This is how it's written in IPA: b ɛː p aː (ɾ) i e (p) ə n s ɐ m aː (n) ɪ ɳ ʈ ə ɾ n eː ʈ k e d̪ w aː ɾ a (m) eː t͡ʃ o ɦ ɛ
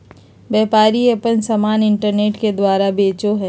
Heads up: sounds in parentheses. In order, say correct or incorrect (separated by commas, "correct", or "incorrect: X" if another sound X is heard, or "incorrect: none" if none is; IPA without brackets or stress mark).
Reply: correct, correct, correct, incorrect: b